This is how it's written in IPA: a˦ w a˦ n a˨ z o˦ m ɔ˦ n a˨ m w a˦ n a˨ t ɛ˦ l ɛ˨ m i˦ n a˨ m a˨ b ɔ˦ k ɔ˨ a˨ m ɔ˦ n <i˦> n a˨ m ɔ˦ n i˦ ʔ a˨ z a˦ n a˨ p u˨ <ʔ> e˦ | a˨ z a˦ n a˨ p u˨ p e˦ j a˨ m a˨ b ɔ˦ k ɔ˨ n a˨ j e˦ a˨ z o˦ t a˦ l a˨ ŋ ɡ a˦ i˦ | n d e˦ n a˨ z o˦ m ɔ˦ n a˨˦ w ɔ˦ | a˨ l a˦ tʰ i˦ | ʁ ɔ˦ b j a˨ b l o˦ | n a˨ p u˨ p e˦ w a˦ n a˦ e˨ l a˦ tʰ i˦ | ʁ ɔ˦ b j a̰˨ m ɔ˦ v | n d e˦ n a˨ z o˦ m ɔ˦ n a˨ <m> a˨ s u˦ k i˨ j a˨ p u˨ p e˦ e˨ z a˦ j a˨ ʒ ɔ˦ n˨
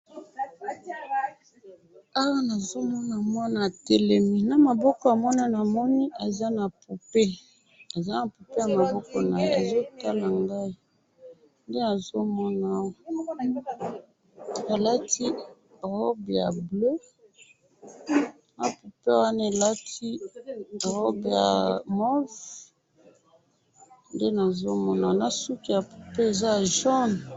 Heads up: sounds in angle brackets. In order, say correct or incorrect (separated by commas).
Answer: incorrect, incorrect, incorrect